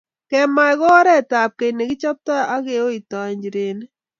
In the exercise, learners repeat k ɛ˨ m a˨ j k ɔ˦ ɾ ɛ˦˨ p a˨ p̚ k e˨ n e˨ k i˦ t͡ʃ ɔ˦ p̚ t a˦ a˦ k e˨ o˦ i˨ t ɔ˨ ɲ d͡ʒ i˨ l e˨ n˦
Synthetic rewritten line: k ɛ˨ m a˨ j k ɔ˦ ɾ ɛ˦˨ t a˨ p̚ k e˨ n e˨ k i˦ t͡ʃ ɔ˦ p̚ t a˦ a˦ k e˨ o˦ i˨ t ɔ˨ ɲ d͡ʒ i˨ ɾ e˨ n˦